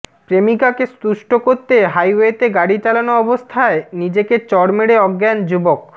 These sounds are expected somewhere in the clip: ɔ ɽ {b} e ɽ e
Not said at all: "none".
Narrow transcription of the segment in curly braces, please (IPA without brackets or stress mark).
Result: m